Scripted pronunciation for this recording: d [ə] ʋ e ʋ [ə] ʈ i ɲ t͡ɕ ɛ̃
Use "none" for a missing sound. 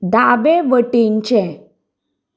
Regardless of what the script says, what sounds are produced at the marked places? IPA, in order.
a, ə

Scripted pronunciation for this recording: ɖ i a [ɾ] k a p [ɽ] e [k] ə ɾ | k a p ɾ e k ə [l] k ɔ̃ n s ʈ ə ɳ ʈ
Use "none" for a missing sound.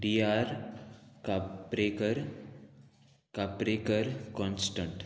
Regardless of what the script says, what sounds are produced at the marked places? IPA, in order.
ɾ, ɾ, k, ɾ

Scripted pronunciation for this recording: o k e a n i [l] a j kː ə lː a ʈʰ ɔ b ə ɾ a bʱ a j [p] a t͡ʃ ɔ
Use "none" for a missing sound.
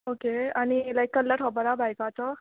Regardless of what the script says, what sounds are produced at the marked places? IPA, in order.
l, k

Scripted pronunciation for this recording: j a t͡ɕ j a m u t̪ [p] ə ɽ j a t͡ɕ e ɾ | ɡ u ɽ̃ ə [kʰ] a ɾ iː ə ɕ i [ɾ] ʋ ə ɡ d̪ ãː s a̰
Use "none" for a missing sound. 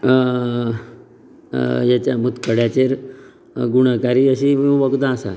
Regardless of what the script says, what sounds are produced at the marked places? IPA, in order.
k, k, none

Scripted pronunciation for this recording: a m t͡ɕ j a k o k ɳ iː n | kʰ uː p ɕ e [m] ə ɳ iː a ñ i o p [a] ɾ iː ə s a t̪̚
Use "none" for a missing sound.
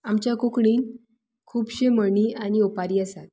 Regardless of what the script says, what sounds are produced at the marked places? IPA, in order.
m, a

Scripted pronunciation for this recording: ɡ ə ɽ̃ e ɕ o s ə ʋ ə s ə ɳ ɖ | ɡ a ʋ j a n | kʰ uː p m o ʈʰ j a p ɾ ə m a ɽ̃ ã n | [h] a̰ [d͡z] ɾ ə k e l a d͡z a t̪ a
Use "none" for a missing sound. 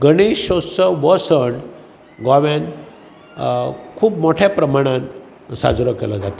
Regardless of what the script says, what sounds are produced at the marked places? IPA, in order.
s, d͡z

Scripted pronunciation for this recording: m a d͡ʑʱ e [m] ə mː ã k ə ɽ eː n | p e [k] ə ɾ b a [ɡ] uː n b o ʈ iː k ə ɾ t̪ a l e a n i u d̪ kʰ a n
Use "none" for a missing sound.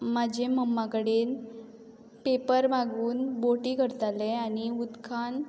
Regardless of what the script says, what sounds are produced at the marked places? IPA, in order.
m, p, ɡ

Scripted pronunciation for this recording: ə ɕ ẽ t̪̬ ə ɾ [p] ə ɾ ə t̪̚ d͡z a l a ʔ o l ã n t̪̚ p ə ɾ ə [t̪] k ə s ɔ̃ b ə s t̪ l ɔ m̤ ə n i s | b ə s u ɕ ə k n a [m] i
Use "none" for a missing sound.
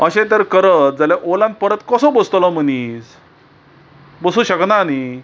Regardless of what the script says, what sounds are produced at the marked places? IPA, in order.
k, t̪, n

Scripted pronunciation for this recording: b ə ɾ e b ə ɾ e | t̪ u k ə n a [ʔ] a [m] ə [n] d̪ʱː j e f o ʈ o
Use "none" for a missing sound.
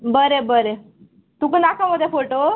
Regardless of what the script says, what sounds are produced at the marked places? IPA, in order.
k, m, none

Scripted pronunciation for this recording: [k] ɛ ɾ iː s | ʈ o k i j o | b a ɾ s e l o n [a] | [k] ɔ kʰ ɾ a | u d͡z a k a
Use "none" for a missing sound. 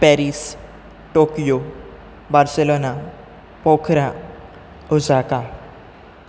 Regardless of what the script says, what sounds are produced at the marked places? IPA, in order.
p, a, p

